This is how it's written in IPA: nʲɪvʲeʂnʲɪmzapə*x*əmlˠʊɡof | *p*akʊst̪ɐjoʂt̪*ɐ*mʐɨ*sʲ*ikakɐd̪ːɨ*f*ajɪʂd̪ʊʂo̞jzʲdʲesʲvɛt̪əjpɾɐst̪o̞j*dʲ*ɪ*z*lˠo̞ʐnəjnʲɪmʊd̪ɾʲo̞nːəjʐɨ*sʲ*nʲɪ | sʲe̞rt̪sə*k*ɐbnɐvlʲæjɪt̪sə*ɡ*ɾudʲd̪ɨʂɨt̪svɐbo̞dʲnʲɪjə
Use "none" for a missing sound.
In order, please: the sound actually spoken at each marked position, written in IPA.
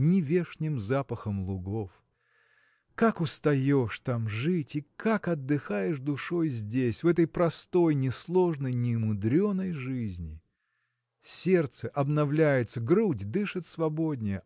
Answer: x, k, a, tʲ, x, nʲ, s, zʲ, ʔ, ɡ

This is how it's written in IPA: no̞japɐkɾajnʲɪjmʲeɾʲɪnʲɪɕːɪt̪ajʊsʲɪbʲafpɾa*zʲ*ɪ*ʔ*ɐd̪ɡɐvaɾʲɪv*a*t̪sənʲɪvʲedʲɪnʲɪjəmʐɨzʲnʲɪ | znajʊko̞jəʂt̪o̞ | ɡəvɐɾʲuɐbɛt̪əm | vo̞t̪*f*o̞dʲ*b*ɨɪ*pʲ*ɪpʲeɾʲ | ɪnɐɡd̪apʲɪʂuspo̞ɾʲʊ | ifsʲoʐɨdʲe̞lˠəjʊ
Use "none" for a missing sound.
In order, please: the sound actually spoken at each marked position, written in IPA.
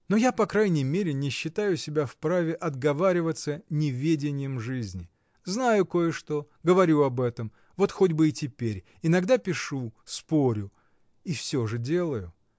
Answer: vʲ, ʔ, ə, x, b, tʲ

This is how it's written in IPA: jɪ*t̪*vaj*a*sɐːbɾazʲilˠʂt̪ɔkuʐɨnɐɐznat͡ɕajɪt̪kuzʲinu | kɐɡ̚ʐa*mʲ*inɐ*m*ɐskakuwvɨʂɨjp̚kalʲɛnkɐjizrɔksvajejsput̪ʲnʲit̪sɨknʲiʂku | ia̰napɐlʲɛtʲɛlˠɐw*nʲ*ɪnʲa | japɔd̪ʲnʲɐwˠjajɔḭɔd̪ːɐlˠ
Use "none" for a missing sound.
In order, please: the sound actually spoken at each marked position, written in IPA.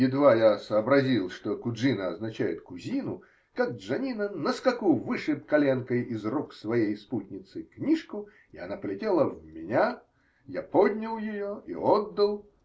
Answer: d̪, a, nʲ, n, mʲ

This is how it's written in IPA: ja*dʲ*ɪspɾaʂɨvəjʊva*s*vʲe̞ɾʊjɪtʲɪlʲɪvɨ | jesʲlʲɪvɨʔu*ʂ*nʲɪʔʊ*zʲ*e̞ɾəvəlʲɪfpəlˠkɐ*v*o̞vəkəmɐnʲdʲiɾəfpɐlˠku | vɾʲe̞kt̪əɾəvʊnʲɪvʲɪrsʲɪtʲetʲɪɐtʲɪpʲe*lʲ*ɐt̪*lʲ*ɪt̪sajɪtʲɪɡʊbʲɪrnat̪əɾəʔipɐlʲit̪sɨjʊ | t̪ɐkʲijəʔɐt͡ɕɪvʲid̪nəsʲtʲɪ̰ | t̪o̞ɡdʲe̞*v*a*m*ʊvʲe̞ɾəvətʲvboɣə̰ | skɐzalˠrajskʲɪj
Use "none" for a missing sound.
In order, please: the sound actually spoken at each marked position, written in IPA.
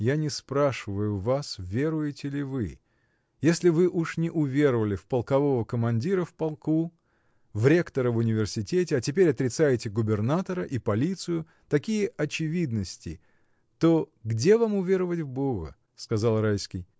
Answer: nʲ, s, ʂ, vʲ, v, ɾʲ, ɾʲ, v, m

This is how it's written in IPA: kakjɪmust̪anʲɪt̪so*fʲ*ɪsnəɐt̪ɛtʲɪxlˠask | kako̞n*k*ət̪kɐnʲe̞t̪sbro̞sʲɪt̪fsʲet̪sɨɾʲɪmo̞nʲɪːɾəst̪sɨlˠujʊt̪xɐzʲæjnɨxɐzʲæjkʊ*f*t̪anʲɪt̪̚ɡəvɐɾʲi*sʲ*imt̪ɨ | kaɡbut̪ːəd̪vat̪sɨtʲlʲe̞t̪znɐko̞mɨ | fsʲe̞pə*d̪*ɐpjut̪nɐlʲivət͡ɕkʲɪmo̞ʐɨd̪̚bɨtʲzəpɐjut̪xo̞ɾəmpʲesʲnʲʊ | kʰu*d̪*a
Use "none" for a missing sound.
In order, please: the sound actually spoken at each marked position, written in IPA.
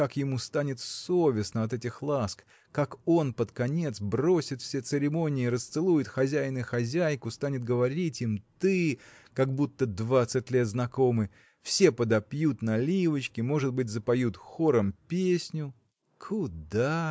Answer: vʲ, p, s, tʲ, d̪, d̪

